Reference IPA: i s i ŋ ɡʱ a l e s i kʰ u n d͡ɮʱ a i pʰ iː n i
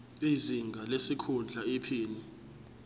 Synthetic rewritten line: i z i ŋ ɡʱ a l e s i kʰ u n d͡ɮʱ a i pʰ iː n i